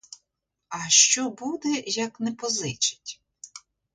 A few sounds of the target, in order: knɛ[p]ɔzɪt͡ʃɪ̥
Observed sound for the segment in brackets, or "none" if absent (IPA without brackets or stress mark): p